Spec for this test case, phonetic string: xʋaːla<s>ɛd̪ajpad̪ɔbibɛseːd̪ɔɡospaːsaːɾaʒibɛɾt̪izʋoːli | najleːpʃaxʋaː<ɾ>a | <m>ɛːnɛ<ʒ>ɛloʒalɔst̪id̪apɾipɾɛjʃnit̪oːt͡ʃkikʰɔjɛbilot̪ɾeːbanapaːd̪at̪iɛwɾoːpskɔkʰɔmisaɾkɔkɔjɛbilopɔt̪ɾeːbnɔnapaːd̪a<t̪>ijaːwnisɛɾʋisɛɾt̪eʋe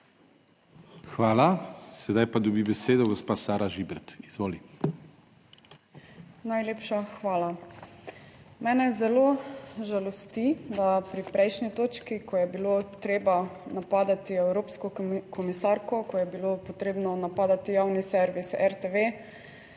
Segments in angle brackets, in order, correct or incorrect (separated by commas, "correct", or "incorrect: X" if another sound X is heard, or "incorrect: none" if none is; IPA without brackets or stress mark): correct, incorrect: l, correct, incorrect: z, correct